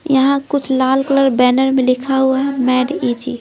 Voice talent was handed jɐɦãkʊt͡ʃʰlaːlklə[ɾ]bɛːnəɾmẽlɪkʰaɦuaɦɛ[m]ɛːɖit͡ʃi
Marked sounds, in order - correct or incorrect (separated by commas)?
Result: correct, correct